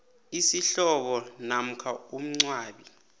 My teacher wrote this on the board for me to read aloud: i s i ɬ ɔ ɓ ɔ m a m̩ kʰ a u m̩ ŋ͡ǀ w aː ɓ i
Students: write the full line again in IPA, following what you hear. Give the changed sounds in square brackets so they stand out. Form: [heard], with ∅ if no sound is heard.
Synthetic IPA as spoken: i s i ɬ ɔ ɓ ɔ [n] a m̩ kʰ a u m̩ ŋ͡ǀ w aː ɓ i